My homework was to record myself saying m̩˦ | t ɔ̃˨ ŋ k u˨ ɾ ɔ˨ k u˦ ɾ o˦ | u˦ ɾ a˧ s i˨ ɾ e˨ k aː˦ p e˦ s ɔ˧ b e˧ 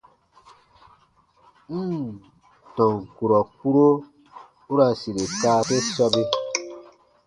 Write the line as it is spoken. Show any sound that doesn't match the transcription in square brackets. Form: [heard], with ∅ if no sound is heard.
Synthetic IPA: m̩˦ | t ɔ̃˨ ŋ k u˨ ɾ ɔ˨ k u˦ ɾ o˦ | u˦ ɾ a˧ s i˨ ɾ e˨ k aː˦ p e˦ s ɔ˧ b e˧